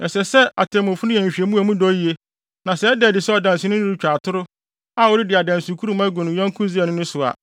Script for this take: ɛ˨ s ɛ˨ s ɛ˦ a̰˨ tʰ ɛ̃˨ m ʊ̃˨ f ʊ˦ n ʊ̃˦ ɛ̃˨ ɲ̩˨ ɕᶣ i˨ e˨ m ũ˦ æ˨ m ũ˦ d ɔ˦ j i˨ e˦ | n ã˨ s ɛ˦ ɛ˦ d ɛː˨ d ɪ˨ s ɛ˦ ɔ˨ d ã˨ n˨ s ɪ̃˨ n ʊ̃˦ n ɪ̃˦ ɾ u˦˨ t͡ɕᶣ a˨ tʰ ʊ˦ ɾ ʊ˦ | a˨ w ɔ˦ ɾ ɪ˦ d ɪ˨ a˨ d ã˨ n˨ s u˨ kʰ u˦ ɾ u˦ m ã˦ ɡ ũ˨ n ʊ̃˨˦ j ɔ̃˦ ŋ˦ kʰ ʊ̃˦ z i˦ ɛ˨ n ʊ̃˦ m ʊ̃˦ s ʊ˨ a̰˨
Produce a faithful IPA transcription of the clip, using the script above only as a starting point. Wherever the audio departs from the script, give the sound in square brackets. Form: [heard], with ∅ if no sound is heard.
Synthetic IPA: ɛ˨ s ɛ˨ s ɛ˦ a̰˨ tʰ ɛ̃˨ m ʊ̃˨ f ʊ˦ n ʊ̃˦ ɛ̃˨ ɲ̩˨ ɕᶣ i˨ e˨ m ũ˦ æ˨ m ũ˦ d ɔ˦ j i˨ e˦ | n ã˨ s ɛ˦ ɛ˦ d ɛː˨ d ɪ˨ s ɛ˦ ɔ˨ d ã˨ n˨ s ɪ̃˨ n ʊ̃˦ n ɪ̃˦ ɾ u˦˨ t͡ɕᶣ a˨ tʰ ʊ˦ ɾ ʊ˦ | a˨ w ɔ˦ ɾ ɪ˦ d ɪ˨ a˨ d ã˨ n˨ s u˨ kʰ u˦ ɾ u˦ m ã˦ ɡ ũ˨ n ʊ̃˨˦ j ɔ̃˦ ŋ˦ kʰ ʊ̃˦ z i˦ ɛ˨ n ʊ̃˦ [n] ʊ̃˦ s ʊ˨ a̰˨